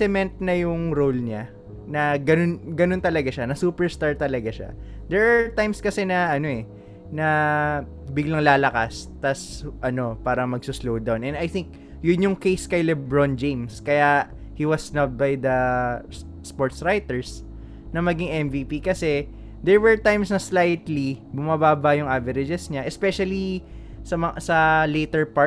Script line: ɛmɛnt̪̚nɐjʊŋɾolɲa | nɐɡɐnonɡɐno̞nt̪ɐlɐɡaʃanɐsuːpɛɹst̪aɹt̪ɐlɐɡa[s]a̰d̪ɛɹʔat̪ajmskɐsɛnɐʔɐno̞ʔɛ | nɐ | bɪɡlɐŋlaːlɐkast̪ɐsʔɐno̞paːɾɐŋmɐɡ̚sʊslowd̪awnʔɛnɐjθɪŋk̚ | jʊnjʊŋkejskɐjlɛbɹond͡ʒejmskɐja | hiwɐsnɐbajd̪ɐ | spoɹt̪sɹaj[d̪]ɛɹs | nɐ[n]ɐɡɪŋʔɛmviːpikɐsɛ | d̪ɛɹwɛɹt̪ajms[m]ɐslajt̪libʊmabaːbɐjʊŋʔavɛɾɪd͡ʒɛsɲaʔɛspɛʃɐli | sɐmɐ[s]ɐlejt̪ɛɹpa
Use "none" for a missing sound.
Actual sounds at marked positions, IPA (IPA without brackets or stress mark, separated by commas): ʃ, t̪, m, n, s